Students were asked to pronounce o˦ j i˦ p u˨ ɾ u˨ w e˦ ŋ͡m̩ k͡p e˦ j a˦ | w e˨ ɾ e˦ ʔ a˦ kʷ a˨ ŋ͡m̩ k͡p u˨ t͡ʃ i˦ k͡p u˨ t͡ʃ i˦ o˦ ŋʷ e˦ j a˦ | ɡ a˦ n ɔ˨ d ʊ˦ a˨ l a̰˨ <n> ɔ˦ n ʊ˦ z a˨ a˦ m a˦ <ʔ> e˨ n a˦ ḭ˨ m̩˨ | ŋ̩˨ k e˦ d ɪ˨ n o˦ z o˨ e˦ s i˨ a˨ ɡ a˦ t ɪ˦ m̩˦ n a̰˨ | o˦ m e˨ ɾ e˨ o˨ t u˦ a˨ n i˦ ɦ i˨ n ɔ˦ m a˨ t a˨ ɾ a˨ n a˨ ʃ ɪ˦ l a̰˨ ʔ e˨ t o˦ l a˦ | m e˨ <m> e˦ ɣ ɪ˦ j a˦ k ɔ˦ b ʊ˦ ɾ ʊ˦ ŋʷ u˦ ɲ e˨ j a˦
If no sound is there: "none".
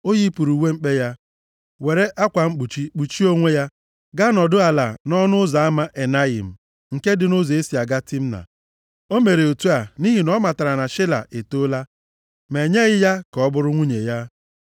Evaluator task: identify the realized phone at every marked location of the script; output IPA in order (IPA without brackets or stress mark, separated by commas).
n, ʔ, ɲ